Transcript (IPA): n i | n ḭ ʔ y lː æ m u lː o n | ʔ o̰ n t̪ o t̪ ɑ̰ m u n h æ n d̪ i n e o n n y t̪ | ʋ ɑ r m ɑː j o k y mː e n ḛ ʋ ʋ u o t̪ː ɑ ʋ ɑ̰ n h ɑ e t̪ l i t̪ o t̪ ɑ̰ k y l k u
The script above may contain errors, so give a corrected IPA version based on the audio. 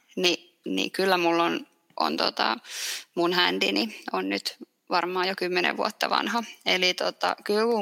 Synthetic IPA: n i | n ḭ k y lː æ m u lː o n | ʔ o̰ n t̪ o t̪ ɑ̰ m u n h æ n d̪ i n i o n n y t̪ | ʋ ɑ r m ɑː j o k y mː e n ḛ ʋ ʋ u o t̪ː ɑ ʋ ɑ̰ n h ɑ e l i t̪ o t̪ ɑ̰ k y l k u